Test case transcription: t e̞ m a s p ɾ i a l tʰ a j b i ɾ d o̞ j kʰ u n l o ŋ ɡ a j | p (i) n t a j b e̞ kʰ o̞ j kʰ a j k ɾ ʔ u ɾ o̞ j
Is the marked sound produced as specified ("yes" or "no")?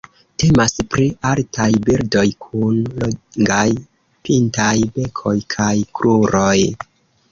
yes